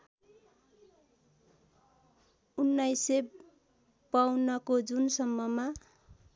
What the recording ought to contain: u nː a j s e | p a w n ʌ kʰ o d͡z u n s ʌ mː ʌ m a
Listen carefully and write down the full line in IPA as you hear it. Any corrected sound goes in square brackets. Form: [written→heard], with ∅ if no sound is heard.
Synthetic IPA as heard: u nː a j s e | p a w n ʌ [kʰ→k] o d͡z u n s ʌ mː ʌ m a